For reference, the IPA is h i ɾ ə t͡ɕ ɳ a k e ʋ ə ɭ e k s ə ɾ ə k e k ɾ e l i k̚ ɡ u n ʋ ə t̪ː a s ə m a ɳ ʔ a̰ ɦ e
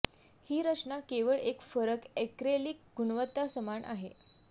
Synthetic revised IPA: h iː ɾ ə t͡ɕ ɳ a k e ʋ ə ɭ e k f ə ɾ ə k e k ɾ e l i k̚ ɡ u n ʋ ə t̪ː a s ə m a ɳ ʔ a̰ ɦ e